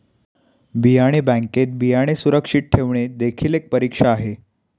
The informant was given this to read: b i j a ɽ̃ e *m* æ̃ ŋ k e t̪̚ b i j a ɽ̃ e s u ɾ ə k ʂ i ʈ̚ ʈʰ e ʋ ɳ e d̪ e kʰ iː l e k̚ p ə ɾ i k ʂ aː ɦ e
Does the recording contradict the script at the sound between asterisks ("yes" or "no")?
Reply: yes